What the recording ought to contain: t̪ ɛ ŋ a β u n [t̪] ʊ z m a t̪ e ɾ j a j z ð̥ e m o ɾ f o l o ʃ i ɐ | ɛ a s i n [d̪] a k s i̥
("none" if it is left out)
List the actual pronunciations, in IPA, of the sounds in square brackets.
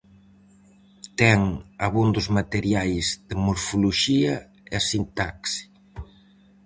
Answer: d̪, t̪

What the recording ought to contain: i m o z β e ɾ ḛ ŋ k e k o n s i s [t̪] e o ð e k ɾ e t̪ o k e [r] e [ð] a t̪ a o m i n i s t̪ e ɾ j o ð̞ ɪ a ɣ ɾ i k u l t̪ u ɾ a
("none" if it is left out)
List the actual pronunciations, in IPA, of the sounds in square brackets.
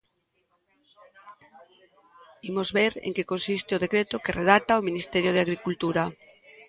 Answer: t̪, r, ð

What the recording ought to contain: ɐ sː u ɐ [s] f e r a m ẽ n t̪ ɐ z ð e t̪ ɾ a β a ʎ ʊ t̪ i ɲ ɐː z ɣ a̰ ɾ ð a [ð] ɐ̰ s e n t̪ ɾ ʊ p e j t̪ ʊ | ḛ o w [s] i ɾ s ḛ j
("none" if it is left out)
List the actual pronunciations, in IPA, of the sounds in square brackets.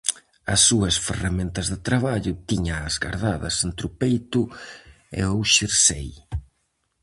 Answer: s, ð, ʃ

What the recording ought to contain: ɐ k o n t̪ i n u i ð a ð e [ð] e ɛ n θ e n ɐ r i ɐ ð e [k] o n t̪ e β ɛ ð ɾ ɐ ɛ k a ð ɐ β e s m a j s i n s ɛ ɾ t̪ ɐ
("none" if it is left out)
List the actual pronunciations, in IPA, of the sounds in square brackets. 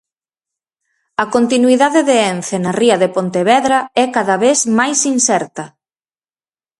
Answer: ð, p

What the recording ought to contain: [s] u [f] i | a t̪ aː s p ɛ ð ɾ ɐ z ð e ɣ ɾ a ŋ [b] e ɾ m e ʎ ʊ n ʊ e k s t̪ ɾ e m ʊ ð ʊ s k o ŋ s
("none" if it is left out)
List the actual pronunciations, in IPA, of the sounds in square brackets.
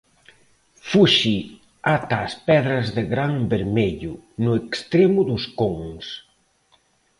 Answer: f, ʃ, b

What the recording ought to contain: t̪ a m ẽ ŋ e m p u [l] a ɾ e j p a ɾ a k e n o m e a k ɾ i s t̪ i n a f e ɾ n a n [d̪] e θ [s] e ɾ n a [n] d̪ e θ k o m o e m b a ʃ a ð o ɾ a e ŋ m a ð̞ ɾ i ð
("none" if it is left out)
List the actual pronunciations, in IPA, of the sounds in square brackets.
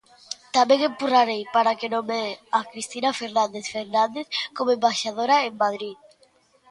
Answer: r, d̪, f, n

